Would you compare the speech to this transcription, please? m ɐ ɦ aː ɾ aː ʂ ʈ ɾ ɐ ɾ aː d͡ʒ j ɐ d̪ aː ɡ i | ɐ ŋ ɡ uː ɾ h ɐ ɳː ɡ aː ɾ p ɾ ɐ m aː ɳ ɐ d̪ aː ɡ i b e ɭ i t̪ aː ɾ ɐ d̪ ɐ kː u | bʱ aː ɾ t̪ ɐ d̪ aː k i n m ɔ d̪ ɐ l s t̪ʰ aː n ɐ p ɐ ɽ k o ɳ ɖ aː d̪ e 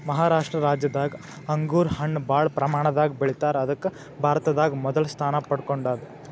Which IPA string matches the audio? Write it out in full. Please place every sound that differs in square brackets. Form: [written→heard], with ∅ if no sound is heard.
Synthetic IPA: m ɐ ɦ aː ɾ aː ʂ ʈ ɾ ɐ ɾ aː d͡ʒ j ɐ d̪ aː ɡ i | ɐ ŋ ɡ uː ɾ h ɐ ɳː [ɡ→b] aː [ɾ→ɭ] p ɾ ɐ m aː ɳ ɐ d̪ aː ɡ i b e ɭ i t̪ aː ɾ ɐ d̪ ɐ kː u | bʱ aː ɾ t̪ ɐ d̪ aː [k→ɡ] i [n→∅] m ɔ d̪ ɐ l s t̪ʰ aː n ɐ p ɐ ɽ k o ɳ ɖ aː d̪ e